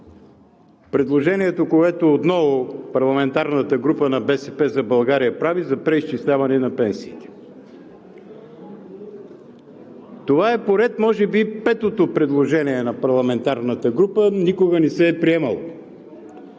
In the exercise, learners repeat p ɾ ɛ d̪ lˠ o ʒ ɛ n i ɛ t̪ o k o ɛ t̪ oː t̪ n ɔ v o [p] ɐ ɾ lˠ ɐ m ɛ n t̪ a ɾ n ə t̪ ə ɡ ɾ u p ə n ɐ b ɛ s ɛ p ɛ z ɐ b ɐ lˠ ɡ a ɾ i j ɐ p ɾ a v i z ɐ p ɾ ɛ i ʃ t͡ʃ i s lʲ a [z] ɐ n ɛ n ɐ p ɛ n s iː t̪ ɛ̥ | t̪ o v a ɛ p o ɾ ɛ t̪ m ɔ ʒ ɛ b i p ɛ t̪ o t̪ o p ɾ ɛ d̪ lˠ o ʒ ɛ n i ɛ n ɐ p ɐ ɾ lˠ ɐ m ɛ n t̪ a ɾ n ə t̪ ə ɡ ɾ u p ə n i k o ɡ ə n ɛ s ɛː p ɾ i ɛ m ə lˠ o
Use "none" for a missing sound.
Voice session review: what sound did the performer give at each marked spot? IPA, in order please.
p, v

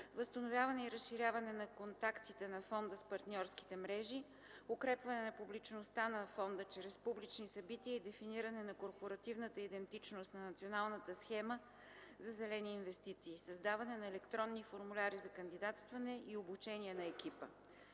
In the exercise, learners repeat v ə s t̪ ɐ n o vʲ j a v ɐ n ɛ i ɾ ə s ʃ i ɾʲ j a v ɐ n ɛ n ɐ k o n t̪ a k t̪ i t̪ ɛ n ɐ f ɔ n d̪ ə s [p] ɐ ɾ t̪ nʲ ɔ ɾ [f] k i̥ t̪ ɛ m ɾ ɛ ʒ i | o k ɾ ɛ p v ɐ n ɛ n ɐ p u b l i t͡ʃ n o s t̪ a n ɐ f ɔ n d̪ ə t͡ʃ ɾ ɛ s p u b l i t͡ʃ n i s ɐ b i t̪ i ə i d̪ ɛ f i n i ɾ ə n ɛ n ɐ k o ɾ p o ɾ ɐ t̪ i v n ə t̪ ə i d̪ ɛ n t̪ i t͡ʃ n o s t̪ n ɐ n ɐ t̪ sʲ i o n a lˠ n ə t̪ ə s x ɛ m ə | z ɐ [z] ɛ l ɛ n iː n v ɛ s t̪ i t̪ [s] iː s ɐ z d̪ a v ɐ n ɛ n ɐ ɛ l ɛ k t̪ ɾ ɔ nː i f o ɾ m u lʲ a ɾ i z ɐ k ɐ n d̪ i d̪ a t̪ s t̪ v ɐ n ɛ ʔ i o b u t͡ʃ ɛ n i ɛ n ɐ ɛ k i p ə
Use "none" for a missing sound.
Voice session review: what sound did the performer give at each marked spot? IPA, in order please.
p, s, z, s

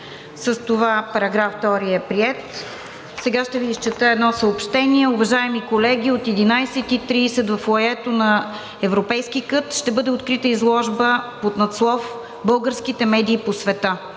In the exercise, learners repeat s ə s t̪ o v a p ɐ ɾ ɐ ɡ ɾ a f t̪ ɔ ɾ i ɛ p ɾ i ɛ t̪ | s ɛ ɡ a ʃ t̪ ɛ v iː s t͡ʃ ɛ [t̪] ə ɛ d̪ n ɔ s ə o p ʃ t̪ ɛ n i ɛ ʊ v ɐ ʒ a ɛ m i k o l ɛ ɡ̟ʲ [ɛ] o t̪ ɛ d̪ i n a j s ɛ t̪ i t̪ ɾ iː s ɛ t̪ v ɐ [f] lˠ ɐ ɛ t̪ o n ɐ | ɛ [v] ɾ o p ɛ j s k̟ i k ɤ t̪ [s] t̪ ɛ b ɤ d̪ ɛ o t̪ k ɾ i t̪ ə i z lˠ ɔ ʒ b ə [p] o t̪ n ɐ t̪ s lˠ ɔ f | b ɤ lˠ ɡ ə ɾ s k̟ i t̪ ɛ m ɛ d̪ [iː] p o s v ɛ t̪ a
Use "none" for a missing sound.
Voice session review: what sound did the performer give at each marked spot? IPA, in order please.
t̪, i, f, v, ʃ, p, iː

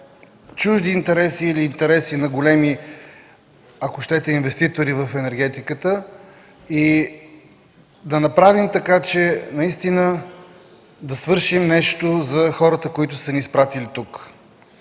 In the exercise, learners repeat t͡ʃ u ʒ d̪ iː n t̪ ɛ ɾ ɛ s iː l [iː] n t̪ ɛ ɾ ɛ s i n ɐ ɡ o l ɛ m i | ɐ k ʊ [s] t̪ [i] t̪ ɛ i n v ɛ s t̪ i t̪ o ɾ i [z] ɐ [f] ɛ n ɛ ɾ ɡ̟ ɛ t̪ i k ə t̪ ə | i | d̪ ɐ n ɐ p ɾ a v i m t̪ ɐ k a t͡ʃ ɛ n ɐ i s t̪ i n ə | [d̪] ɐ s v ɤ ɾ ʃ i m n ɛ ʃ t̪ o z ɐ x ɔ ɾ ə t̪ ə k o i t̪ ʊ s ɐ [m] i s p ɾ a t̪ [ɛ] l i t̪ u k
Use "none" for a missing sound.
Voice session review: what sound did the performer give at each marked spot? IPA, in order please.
iː, ʃ, ɛ, v, f, d̪, n, i

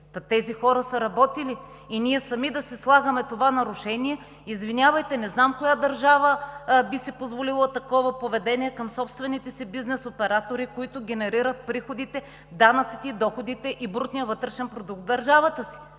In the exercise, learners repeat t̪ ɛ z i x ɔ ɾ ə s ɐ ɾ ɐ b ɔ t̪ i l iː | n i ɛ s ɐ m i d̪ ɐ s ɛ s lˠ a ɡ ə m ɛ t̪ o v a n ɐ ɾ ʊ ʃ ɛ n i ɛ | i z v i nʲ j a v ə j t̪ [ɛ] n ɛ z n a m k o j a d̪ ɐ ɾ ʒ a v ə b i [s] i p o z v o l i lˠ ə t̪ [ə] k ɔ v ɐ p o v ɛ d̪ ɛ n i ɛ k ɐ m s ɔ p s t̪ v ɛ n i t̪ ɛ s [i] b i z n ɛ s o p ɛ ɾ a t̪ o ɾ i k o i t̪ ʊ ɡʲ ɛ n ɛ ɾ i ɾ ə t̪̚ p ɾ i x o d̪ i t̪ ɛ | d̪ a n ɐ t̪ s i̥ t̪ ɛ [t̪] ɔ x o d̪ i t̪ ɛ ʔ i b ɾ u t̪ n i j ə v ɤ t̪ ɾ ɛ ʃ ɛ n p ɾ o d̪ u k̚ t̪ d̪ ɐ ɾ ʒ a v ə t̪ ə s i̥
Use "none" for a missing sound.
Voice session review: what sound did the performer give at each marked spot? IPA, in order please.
ɛ, s, ɐ, i, d̪

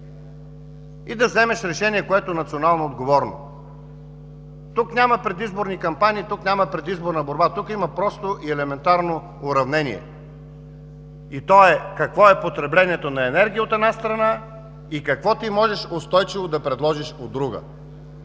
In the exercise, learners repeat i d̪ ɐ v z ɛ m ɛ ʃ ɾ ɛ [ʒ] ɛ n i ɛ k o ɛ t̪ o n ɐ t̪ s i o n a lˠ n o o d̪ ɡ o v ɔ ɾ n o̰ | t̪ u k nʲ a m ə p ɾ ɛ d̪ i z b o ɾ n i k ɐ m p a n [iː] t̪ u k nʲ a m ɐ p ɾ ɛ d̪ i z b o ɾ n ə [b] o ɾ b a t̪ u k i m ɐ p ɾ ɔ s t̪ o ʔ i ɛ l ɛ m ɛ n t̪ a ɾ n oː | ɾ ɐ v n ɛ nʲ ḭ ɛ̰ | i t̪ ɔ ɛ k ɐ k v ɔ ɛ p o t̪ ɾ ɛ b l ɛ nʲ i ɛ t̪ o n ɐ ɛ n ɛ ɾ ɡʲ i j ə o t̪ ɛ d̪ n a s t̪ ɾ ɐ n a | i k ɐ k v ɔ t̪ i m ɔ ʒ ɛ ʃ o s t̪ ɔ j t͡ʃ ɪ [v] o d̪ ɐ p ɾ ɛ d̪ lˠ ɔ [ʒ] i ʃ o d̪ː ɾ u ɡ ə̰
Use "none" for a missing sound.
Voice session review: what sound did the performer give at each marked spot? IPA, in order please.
ʃ, iː, b, v, ʒ

